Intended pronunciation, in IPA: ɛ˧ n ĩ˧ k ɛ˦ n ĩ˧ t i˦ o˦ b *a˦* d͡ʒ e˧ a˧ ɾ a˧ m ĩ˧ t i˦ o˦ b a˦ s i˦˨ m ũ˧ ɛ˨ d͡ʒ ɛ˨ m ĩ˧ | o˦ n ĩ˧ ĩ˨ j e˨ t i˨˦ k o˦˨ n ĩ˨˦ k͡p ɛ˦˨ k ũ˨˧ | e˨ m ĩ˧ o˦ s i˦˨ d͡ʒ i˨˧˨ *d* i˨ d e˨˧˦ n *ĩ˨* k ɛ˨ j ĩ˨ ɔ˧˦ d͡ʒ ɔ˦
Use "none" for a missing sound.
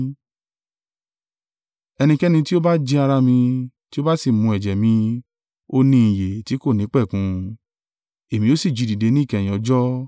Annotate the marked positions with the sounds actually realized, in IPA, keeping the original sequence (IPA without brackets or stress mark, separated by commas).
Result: a˦, d, ĩ˦˨